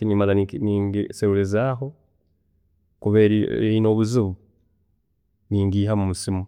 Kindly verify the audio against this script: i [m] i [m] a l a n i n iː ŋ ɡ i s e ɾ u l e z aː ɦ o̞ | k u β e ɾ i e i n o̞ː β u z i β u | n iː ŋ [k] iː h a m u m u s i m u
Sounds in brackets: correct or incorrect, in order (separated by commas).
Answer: incorrect, correct, incorrect